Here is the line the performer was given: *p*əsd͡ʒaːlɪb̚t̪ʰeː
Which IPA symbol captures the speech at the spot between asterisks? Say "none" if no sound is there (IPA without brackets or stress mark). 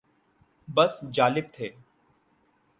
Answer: b